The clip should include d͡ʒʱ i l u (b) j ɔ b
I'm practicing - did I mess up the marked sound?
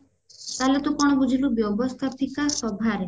no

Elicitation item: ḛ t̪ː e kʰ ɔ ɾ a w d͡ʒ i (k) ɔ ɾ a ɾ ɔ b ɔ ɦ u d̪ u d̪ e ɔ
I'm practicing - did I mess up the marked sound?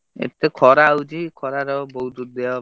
yes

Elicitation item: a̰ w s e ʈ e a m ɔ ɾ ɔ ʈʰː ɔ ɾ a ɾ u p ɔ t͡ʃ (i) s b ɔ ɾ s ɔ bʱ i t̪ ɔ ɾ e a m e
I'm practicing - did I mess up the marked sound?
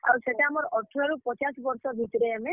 yes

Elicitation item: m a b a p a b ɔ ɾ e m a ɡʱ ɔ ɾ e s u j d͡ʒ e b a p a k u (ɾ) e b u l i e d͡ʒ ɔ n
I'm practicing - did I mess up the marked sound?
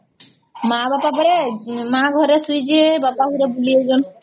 no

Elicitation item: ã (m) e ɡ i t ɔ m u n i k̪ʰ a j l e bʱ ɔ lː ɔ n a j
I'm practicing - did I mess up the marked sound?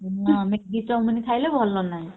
no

